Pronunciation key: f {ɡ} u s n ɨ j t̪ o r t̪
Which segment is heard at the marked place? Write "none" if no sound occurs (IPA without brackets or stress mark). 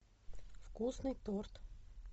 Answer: k